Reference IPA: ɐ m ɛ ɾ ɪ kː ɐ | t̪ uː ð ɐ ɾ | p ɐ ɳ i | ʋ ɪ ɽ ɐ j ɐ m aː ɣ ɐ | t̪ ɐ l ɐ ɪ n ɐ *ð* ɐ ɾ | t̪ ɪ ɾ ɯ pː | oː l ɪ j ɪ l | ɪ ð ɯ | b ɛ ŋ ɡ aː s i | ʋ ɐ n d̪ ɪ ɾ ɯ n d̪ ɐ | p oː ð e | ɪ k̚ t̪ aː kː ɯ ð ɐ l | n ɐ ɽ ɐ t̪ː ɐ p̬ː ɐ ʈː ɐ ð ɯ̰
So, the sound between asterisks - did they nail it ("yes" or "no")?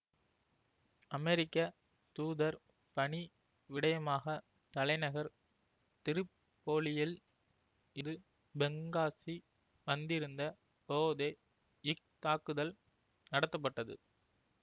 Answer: no